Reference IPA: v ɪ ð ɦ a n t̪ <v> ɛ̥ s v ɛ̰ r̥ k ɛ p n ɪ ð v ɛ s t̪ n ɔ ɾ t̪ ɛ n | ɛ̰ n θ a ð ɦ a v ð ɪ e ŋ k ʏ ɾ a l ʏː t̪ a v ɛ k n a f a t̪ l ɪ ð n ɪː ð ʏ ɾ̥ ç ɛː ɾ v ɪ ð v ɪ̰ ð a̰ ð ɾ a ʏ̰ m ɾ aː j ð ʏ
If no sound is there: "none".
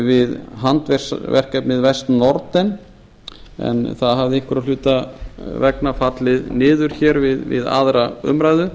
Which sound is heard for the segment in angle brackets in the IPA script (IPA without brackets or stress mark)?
v